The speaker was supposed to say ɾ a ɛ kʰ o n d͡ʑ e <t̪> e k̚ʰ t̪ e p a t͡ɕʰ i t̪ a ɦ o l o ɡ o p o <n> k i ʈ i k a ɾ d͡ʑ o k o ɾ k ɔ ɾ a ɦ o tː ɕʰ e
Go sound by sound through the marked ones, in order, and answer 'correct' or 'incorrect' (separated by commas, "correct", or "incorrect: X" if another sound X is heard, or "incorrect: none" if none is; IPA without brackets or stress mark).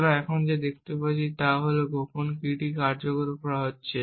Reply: incorrect: d̪, correct